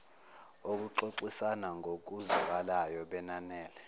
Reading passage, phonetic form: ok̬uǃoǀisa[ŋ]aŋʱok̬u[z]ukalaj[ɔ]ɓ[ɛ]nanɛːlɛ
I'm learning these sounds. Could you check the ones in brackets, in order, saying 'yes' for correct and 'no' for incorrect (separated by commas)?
no, yes, yes, yes